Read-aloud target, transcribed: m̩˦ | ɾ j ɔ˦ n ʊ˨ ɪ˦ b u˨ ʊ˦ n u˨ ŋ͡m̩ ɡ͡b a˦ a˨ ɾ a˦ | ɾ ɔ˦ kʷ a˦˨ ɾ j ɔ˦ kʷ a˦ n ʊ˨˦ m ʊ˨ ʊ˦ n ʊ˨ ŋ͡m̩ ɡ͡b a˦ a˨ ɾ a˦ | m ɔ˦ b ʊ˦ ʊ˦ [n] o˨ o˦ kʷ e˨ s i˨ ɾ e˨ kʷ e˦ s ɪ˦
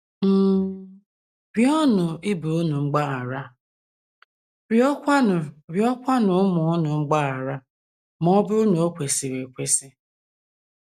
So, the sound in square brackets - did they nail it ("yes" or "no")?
yes